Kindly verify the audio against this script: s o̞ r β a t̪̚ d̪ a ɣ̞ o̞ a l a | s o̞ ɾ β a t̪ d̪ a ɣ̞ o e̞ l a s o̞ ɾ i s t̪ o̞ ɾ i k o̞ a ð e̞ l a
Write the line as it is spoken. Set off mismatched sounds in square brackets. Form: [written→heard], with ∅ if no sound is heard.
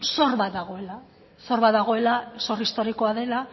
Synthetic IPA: s o̞ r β a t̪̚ d̪ a ɣ̞ o̞ [a→e] l a | s o̞ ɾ β a t̪ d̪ a ɣ̞ o e̞ l a s o̞ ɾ i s t̪ o̞ ɾ i k o̞ a ð e̞ l a